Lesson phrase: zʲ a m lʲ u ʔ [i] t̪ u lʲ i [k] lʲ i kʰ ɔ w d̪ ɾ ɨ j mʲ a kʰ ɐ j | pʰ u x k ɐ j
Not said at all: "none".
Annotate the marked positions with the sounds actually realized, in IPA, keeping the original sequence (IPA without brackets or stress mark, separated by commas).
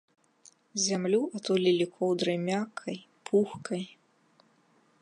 a, none